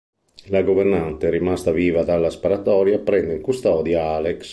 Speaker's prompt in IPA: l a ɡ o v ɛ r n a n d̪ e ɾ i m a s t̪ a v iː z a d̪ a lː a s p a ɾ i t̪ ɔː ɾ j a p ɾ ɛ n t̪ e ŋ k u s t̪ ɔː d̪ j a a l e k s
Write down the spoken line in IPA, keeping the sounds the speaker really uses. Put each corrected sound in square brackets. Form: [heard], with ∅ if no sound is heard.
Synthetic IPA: l a ɡ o v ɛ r n a n [t̪] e ɾ i m a s t̪ a v iː [v] a d̪ a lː a s p a ɾ [a] t̪ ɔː ɾ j a p ɾ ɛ n [d̪] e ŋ k u s t̪ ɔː d̪ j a a l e k s